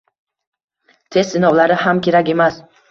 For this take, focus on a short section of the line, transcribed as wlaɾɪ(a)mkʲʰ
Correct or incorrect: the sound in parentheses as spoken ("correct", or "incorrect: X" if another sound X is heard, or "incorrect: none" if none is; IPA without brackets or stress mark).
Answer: correct